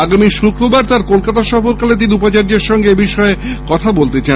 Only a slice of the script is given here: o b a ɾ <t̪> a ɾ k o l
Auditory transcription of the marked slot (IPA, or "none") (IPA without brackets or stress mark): t̪